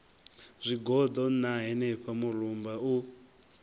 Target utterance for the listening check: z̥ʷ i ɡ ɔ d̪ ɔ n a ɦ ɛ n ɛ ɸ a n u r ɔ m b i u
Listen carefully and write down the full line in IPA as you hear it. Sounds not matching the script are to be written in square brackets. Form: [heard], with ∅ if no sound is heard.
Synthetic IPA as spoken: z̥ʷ i ɡ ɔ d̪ ɔ n a ɦ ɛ n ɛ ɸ a [m] u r [u] m b [a] u